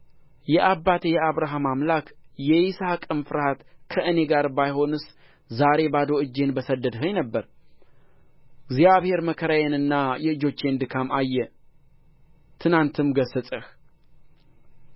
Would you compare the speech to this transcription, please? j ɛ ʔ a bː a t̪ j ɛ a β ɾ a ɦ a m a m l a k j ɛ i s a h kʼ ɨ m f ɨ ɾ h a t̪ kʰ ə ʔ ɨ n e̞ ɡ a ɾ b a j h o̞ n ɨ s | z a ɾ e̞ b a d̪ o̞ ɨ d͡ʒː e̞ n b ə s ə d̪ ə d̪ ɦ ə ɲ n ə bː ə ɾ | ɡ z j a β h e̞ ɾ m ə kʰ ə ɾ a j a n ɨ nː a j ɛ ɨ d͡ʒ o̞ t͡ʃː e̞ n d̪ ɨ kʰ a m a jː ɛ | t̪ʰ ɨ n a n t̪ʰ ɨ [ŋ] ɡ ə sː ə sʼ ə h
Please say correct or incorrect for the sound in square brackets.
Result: incorrect